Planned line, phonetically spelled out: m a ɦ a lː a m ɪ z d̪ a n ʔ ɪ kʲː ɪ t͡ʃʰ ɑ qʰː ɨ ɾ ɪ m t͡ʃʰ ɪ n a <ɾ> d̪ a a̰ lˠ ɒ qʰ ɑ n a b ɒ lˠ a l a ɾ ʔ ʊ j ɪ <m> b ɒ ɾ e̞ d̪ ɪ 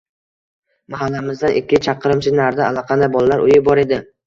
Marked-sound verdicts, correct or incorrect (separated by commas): correct, incorrect